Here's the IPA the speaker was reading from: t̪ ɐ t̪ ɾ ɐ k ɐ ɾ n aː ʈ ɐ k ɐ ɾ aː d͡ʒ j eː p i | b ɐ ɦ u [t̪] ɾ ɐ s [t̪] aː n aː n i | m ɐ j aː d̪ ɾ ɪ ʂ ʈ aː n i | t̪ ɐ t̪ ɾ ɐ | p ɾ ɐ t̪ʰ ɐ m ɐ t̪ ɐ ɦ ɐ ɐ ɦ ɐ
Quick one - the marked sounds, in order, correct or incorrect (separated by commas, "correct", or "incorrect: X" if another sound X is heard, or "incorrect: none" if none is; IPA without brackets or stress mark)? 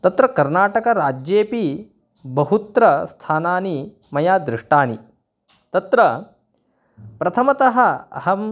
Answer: correct, incorrect: t̪ʰ